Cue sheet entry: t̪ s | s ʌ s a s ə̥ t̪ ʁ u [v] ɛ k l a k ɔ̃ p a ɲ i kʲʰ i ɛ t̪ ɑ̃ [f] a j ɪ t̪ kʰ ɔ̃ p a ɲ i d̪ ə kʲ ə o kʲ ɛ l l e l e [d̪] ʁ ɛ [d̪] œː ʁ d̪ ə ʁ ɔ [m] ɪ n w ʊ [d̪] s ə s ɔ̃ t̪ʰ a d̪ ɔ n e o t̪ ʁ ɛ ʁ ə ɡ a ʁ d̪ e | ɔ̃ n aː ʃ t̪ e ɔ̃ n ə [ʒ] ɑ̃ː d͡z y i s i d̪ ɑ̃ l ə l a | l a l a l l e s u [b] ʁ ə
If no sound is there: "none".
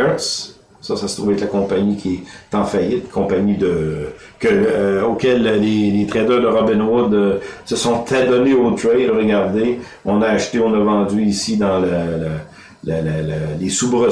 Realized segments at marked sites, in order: v, f, t̪, d̪, b, d̪, v, b

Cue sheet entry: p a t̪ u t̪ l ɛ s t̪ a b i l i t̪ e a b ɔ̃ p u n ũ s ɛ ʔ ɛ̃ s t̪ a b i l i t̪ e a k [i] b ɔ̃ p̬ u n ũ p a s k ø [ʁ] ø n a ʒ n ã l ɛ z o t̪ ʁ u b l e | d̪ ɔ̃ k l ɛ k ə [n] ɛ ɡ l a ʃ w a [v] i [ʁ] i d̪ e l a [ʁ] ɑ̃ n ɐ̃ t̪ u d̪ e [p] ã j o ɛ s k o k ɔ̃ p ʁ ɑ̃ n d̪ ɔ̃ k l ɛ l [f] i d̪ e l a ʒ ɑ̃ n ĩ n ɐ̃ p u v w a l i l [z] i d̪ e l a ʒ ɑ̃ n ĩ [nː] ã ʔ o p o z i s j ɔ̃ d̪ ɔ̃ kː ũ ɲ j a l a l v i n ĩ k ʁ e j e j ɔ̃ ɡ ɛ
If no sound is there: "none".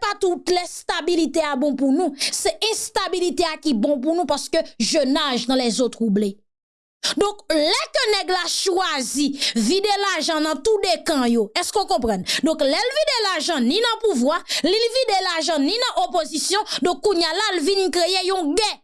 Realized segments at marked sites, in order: i, ʒ, n, z, v, ʒ, k, v, v, n

